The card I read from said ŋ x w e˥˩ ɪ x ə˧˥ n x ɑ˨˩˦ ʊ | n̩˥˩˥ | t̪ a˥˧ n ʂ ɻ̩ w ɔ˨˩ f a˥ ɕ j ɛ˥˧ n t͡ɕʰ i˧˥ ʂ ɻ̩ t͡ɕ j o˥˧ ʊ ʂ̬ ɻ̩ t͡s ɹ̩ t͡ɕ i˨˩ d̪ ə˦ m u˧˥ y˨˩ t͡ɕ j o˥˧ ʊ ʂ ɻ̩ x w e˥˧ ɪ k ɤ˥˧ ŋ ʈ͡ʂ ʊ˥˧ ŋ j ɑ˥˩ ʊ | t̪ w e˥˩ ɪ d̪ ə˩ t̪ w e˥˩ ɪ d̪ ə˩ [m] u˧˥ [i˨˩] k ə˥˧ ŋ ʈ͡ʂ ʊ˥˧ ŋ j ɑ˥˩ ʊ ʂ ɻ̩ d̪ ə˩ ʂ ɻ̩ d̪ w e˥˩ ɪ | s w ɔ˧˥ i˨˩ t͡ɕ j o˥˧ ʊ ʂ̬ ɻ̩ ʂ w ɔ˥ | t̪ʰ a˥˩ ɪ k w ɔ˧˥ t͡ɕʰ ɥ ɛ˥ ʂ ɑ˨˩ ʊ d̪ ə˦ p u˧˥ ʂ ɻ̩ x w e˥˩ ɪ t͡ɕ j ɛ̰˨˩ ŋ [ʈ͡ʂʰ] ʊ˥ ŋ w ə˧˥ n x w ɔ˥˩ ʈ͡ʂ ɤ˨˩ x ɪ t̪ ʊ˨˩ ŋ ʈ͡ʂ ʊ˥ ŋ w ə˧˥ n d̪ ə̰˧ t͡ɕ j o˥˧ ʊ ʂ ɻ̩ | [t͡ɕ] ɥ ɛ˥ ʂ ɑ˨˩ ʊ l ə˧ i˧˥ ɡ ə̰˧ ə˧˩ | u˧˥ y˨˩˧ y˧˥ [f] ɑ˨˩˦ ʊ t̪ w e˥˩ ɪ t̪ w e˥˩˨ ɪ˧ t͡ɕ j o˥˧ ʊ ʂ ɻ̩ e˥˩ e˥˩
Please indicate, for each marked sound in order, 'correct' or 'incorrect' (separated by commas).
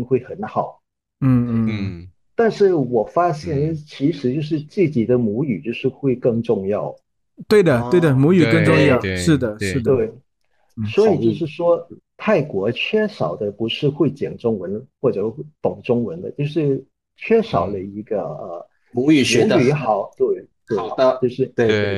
correct, incorrect, incorrect, incorrect, incorrect